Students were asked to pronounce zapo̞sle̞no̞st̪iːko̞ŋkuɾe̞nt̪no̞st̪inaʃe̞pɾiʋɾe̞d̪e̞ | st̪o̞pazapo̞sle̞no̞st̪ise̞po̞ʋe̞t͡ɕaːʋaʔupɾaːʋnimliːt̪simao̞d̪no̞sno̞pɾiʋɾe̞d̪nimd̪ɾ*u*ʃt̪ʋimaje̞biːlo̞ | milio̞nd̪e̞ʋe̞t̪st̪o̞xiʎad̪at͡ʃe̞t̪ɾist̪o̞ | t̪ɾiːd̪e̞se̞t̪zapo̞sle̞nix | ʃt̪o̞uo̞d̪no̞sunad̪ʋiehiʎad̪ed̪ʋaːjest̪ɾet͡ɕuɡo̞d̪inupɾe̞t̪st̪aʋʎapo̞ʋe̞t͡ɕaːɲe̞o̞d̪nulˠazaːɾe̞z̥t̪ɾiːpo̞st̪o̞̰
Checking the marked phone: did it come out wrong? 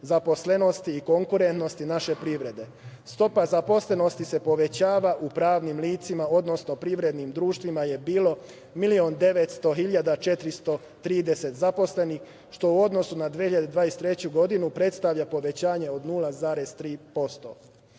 yes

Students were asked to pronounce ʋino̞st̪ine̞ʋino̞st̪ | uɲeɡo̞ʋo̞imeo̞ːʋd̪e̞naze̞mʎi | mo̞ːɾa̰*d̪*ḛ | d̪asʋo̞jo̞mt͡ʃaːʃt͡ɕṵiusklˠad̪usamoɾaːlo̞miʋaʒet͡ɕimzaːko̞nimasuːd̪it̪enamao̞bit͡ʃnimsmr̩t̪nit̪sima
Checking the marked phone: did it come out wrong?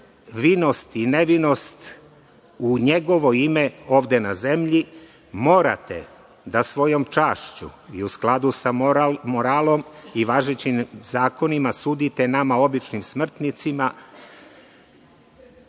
yes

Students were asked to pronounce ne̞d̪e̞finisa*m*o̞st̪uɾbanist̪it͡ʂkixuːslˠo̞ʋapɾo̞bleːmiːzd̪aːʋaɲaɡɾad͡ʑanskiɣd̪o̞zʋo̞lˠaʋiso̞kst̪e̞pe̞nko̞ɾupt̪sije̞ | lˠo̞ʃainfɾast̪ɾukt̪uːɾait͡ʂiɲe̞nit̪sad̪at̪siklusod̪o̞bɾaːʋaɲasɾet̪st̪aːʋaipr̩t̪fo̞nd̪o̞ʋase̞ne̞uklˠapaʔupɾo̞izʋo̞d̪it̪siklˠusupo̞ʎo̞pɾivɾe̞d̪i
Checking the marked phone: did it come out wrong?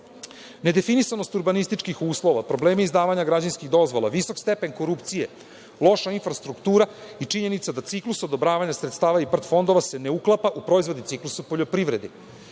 yes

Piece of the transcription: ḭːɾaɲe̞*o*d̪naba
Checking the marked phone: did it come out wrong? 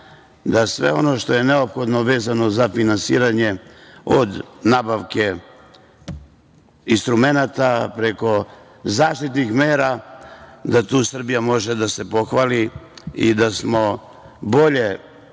no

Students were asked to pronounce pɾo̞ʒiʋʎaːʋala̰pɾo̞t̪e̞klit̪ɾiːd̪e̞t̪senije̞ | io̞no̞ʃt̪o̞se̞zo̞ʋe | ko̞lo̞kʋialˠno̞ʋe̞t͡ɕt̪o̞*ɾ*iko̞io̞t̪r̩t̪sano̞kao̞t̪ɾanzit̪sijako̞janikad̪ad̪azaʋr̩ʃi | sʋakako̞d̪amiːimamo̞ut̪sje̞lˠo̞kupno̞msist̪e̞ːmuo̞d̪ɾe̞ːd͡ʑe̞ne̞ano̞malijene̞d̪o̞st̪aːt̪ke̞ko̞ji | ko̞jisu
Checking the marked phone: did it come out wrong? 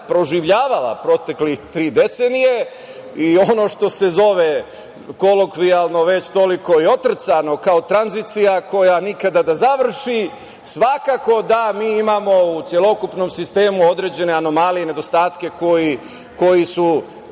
yes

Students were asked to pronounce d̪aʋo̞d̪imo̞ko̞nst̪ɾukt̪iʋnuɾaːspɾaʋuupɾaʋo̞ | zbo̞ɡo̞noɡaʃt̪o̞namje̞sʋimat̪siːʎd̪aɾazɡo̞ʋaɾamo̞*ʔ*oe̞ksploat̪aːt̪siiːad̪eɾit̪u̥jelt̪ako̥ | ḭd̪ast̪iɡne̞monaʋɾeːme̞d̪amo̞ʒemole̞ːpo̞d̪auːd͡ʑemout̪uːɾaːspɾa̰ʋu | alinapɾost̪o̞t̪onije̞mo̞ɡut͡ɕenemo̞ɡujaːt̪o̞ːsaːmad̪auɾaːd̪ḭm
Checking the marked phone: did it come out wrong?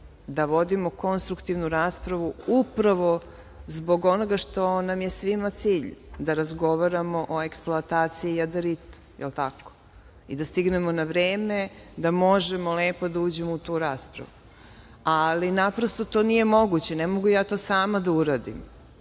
no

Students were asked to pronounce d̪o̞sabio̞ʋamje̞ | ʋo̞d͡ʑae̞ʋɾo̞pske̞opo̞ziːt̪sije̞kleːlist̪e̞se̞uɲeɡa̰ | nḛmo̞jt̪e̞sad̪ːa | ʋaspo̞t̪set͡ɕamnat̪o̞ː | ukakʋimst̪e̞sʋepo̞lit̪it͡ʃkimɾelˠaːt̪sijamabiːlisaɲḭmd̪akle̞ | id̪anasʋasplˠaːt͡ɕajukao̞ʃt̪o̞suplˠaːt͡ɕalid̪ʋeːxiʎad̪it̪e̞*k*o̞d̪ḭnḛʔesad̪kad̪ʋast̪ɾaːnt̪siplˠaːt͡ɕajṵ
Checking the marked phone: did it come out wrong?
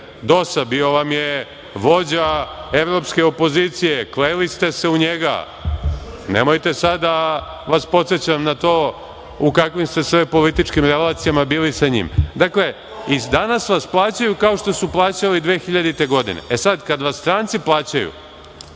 yes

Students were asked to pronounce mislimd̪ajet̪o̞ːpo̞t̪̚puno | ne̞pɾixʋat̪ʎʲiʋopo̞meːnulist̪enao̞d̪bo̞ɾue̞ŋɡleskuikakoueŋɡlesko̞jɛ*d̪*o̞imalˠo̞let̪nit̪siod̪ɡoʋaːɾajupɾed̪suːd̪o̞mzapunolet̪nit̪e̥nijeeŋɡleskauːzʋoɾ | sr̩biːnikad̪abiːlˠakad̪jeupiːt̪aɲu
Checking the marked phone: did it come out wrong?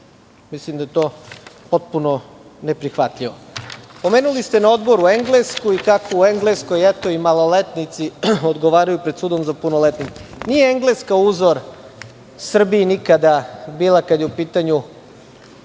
yes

